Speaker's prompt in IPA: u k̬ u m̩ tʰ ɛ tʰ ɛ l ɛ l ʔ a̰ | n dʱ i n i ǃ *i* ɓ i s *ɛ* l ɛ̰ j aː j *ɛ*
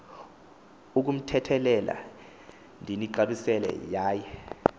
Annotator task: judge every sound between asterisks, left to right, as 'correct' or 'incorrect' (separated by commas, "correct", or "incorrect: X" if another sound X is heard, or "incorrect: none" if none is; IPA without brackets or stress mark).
incorrect: a, correct, correct